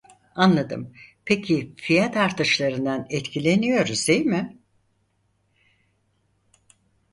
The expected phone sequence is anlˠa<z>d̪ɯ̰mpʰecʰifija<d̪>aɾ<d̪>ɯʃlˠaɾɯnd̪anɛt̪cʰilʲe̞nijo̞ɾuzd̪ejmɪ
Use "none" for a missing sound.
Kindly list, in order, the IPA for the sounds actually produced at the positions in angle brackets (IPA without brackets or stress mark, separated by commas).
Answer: none, t̪, t̪